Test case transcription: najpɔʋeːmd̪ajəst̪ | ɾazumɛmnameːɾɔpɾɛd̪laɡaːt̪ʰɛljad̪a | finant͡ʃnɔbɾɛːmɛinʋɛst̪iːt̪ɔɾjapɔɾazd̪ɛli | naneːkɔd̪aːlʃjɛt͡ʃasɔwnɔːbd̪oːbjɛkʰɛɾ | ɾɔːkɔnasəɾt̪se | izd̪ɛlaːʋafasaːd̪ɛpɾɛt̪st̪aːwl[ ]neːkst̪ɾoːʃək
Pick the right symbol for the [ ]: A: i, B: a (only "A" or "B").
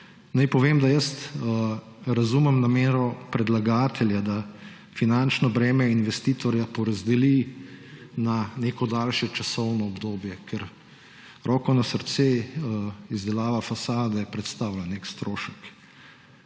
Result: B